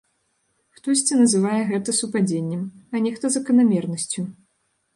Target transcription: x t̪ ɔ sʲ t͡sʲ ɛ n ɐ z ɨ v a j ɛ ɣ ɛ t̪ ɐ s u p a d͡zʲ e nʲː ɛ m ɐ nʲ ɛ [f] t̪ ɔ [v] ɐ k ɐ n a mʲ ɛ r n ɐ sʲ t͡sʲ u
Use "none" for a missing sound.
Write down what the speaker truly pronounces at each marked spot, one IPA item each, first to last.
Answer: x, z

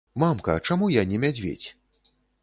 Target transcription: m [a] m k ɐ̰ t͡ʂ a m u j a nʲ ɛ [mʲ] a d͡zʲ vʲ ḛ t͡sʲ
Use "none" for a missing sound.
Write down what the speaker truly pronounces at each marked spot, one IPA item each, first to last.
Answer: a, mʲ

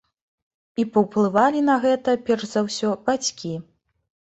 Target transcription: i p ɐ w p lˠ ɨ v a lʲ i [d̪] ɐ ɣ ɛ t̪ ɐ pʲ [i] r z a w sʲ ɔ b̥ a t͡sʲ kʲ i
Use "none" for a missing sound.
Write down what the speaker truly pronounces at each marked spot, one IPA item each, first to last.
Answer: n̪, ɛ

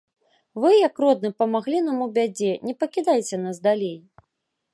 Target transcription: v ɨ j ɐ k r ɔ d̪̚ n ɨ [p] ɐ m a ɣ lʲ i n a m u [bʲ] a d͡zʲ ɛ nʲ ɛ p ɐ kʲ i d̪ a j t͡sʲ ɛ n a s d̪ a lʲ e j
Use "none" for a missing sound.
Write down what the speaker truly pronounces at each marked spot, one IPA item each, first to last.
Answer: p, bʲ

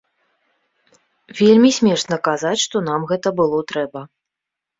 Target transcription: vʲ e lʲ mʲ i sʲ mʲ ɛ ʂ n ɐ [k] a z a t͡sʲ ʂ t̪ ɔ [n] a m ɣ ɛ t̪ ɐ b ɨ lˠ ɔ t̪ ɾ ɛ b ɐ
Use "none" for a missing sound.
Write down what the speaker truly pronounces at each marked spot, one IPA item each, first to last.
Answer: k, n

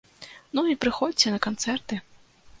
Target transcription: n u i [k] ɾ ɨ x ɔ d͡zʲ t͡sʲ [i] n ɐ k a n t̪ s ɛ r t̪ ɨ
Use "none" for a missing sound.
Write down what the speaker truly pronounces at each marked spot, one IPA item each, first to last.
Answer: p, ɛ

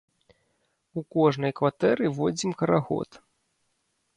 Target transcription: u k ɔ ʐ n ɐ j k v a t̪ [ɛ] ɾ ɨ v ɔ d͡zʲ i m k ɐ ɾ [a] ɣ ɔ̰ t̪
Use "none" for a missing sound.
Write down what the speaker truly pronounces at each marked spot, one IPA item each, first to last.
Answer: ɛ, a

